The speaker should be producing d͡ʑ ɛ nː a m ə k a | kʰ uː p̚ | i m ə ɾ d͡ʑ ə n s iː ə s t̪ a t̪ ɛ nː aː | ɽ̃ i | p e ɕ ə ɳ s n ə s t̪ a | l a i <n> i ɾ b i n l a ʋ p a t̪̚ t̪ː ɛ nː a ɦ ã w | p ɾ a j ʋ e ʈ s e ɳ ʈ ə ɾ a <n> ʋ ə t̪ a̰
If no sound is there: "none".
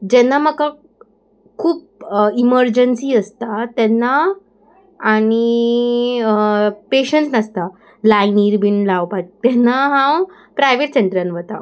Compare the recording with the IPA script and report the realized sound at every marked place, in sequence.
n, n

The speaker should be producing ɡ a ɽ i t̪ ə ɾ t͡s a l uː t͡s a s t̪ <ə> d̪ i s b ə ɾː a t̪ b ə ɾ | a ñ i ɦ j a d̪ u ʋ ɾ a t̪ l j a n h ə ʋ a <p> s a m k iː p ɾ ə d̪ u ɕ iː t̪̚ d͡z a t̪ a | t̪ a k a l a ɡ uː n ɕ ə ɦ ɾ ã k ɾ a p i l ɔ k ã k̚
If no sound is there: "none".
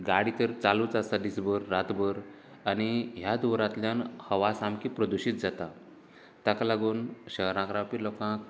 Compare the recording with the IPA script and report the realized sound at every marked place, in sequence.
a, none

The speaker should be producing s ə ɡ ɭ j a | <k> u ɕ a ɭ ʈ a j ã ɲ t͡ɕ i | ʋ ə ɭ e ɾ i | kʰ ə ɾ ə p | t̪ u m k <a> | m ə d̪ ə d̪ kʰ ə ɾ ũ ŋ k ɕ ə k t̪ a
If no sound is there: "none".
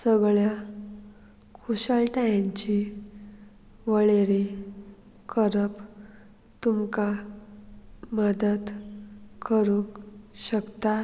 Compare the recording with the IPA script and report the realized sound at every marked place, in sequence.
kʰ, a

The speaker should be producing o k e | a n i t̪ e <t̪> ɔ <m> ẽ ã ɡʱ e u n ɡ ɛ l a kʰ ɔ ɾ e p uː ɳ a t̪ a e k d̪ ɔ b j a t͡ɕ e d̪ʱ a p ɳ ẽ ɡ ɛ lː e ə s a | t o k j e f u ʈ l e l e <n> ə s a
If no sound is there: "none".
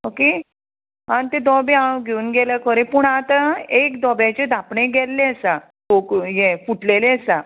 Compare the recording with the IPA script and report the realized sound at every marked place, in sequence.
d̪, b, none

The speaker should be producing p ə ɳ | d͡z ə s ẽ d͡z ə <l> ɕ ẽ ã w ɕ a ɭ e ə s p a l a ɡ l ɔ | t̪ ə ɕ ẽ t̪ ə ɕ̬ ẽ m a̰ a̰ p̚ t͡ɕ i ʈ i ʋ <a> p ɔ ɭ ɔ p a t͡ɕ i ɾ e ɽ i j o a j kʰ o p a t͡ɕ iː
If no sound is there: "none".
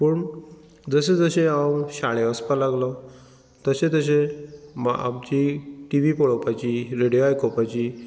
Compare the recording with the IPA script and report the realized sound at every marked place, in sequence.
none, i

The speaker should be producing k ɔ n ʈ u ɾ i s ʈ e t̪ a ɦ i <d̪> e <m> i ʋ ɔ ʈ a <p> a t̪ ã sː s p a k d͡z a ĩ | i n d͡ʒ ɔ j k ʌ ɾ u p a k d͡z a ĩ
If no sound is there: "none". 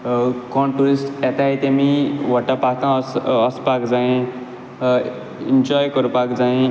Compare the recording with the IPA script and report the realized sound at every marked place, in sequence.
t̪, m, p

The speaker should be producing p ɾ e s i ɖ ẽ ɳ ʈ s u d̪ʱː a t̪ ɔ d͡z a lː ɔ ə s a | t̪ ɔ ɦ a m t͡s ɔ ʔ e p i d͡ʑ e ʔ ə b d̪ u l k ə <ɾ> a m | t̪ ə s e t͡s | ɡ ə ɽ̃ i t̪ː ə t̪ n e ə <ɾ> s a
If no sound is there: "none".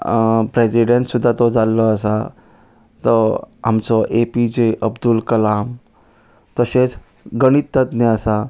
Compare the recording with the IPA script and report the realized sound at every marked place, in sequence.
l, none

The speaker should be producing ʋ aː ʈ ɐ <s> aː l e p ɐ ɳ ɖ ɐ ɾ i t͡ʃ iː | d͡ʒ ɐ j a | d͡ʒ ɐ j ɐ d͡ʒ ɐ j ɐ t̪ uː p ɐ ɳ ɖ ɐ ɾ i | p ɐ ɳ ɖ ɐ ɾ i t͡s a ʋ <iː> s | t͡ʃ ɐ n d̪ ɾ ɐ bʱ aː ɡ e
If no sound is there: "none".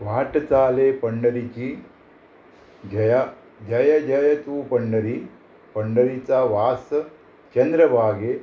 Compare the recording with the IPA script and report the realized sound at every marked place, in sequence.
t͡s, aː

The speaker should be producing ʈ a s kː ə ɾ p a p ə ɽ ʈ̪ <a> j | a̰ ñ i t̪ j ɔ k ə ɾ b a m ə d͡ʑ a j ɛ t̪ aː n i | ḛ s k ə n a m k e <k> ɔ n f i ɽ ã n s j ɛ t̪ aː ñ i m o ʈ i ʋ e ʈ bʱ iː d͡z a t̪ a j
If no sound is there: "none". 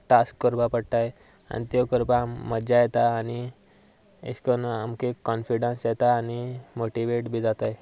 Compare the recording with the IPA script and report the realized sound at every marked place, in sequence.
a, k

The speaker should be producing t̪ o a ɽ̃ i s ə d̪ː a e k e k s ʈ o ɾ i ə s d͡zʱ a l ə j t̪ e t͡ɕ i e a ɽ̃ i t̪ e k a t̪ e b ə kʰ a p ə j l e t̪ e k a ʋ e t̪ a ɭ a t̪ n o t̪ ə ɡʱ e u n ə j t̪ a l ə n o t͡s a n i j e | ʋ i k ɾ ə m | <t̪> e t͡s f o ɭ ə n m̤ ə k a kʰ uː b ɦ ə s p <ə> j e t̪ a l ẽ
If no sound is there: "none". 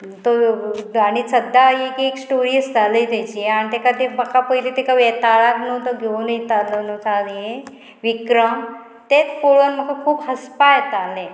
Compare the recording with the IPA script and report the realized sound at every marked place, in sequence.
t̪, a

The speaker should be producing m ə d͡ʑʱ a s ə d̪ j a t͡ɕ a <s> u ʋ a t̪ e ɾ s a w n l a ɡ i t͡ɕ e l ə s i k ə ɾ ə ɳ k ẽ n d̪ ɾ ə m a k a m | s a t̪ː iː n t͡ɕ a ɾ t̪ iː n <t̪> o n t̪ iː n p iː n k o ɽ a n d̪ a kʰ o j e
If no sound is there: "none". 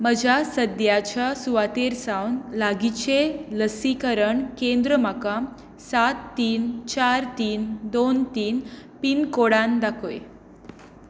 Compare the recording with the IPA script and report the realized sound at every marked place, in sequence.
s, d̪

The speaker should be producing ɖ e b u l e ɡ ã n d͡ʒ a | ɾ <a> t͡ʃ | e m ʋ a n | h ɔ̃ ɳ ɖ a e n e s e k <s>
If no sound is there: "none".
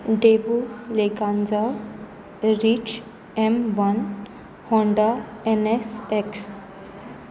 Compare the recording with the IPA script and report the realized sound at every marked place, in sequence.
i, s

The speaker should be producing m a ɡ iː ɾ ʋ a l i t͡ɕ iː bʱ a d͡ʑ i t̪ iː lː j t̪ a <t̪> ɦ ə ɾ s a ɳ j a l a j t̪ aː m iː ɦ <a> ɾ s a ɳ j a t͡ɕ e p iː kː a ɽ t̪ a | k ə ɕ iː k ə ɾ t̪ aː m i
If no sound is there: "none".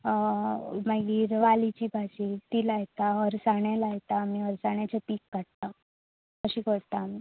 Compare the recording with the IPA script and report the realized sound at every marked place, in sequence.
none, ə

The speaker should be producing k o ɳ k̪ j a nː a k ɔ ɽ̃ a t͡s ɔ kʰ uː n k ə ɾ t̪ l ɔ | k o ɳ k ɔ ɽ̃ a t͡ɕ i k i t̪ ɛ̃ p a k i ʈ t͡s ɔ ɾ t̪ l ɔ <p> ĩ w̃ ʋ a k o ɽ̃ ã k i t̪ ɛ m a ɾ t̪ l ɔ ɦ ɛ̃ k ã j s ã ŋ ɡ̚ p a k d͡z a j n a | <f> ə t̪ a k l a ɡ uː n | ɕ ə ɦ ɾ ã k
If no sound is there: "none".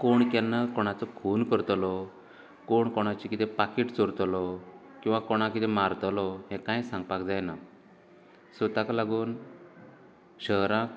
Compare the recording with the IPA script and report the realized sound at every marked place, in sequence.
k, s

